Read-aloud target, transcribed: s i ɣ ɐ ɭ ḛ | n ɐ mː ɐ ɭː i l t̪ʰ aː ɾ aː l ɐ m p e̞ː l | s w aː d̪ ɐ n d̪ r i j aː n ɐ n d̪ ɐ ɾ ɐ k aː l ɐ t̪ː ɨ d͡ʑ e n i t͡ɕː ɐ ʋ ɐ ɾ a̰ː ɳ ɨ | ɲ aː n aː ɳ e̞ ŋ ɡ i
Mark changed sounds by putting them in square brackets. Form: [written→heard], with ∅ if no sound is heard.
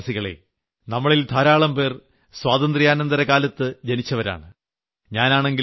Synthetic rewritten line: s i ɣ ɐ ɭ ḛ | n ɐ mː ɐ [ɭː→ɭ] i l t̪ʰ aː ɾ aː [l→ɭ] ɐ m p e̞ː [l→r] | s w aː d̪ ɐ n d̪ r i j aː n ɐ n d̪ ɐ ɾ ɐ k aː l ɐ t̪ː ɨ d͡ʑ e n i t͡ɕː ɐ ʋ ɐ ɾ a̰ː ɳ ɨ | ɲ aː n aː ɳ e̞ ŋ ɡ i